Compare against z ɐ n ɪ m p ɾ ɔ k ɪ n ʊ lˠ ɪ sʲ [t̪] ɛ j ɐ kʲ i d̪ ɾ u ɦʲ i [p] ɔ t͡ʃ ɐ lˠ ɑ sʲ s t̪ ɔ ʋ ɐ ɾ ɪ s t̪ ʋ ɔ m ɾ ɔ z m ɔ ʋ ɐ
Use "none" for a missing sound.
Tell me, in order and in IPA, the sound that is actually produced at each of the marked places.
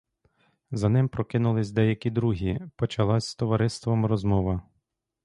d̪, p

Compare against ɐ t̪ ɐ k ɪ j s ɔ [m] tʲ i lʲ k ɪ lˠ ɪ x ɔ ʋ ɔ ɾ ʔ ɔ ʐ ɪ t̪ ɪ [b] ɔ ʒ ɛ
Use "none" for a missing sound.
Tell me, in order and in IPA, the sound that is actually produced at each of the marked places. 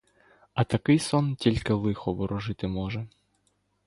n, m

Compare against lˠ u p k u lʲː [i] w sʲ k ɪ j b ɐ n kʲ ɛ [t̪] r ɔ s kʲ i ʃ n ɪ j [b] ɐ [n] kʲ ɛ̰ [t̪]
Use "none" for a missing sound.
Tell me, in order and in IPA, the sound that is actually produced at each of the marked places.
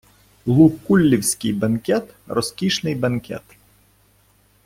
i, t̪, b, n, t̪

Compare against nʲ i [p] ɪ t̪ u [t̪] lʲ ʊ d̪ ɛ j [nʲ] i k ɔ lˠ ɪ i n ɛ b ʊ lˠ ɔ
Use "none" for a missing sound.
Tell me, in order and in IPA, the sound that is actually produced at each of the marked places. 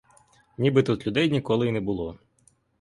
b, t̪, nʲ

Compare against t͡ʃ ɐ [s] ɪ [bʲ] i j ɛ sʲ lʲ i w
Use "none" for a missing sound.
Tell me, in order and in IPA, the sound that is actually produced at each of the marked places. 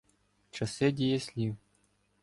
s, dʲ

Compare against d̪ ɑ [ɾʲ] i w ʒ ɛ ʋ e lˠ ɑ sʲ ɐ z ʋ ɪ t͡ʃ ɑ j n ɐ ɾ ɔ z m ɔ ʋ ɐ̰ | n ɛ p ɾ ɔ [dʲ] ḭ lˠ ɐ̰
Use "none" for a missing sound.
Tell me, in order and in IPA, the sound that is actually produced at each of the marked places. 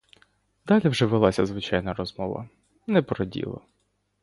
lʲ, dʲ

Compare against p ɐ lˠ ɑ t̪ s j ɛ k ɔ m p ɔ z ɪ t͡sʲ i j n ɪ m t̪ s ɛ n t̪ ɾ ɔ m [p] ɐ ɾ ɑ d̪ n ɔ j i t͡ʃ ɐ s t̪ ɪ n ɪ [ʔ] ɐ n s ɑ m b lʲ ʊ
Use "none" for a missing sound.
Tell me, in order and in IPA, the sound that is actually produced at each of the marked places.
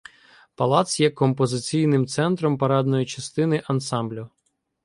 p, ʔ

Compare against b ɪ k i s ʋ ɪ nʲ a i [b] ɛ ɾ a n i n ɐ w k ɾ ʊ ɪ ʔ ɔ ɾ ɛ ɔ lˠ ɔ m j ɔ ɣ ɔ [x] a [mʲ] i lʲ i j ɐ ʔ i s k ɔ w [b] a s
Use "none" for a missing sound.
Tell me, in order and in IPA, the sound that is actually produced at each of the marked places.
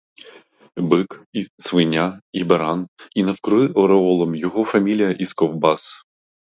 b, f, mʲ, b

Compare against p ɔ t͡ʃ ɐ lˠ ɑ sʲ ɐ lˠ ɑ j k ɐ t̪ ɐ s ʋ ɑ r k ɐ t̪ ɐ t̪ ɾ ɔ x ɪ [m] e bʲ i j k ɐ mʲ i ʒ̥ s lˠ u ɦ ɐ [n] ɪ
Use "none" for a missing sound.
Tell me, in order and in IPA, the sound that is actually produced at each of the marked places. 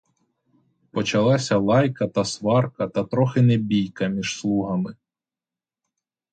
n, m

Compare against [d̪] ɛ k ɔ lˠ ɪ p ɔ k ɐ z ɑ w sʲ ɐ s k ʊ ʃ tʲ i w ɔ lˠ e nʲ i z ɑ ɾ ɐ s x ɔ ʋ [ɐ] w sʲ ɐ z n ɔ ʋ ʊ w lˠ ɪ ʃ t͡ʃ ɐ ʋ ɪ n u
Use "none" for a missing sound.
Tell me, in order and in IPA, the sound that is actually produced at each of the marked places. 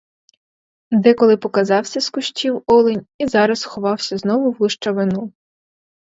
d̪, ɑ

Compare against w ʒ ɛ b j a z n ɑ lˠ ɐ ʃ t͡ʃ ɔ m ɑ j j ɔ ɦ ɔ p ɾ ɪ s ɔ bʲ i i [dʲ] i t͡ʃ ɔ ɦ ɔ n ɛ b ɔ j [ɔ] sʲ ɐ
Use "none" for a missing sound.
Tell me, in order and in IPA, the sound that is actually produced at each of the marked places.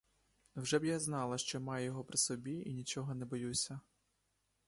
nʲ, u

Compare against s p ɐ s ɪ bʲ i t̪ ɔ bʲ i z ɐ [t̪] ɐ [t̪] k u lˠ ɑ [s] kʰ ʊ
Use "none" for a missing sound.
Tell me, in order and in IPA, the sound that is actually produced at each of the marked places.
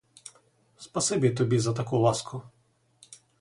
t̪, none, s

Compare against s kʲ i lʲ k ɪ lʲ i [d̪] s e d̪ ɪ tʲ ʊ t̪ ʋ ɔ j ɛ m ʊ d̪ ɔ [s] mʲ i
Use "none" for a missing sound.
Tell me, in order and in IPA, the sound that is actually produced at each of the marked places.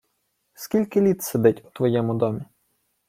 t̪, none

